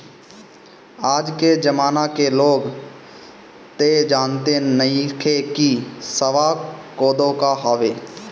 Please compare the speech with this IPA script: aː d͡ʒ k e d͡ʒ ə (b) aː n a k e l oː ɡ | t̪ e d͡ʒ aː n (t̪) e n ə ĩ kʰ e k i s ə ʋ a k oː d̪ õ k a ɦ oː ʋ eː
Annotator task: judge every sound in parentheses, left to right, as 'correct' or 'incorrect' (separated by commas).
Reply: incorrect, correct